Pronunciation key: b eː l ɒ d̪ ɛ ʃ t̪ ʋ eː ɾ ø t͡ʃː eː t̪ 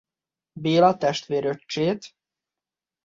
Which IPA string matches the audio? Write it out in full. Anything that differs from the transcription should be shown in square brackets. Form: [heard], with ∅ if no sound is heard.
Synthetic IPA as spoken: b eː l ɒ [t̪] ɛ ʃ t̪ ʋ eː ɾ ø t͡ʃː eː t̪